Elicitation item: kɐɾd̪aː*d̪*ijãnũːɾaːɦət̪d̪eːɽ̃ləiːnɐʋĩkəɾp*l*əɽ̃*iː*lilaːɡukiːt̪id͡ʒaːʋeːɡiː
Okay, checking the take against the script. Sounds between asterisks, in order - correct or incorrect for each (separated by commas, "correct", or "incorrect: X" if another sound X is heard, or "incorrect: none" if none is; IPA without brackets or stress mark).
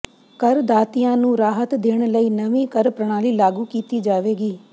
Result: incorrect: t̪, incorrect: ɾ, incorrect: aː